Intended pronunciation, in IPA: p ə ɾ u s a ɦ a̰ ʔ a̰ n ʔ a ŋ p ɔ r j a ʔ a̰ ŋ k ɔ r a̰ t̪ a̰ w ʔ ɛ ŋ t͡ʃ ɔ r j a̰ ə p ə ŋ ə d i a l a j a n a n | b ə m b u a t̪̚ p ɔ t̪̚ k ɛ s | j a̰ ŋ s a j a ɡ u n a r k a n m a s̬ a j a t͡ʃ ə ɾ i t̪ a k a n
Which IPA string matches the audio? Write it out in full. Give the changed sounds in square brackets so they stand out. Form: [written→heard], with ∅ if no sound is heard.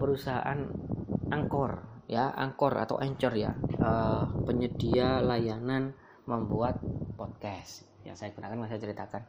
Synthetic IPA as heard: p ə ɾ u s a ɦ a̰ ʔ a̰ n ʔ a ŋ [p→k] ɔ r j a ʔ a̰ ŋ k ɔ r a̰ t̪ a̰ w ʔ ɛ [ŋ→ɲ] t͡ʃ ɔ r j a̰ ə p ə [ŋ→ɲ] ə d i a l a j a n a n | [b→m] ə m b u a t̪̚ p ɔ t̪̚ k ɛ s | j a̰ ŋ s a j a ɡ u n a [r→∅] k a n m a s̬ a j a t͡ʃ ə ɾ i t̪ a k a n